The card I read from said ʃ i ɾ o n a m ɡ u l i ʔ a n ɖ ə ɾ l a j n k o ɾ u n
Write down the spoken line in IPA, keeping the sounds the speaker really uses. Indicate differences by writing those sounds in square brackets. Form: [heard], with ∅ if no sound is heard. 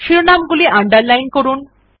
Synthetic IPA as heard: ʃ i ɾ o n a m ɡ u l i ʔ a [ɳ] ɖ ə ɾ l a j n k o ɾ u n